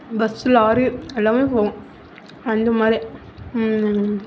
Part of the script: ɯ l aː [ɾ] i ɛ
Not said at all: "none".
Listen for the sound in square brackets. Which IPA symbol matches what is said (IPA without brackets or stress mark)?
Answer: ɾ